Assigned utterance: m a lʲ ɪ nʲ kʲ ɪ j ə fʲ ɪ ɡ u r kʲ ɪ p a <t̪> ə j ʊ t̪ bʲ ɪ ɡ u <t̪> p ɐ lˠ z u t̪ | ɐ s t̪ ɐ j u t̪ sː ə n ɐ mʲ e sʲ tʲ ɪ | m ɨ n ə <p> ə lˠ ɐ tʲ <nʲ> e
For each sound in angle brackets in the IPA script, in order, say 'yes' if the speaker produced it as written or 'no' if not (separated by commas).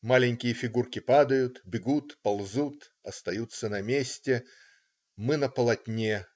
no, yes, yes, yes